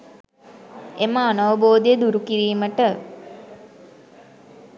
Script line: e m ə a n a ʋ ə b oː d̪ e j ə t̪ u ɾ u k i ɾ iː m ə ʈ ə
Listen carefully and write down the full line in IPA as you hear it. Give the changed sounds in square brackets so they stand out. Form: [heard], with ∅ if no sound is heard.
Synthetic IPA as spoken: e m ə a n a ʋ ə b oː d̪ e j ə [d̪] u ɾ u k i ɾ iː m ə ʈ ə